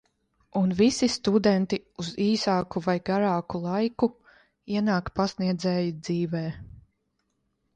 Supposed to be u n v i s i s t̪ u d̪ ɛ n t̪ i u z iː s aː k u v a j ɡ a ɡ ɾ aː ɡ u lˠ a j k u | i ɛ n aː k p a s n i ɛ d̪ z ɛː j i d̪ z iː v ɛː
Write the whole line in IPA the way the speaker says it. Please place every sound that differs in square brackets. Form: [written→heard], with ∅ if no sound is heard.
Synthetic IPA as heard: u n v i s i s t̪ u d̪ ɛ n t̪ i u z iː s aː k u v a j ɡ a [ɡ→∅] ɾ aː [ɡ→k] u lˠ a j k u | i ɛ n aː k p a s n i ɛ d̪ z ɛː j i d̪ z iː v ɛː